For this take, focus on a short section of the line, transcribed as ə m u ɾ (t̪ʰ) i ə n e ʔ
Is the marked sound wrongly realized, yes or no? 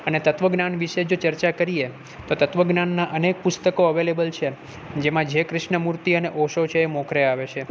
yes